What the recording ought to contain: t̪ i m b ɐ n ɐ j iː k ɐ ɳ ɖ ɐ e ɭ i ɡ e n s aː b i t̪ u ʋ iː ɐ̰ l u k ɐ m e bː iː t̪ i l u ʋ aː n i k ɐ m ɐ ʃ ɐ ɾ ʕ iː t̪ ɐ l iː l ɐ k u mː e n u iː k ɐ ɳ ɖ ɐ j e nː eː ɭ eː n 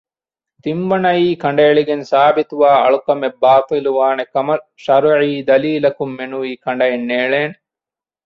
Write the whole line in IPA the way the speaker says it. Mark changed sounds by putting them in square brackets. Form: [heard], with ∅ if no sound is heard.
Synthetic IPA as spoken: t̪ i m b ɐ n ɐ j iː k ɐ ɳ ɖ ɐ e ɭ i ɡ e n s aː b i t̪ u ʋ [aː] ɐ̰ [ɭ] u k ɐ m e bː [aː] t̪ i l u ʋ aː n [e] k ɐ m ɐ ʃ ɐ ɾ ʕ iː [d̪] ɐ l iː l ɐ k u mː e n u iː k ɐ ɳ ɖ ɐ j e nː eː ɭ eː n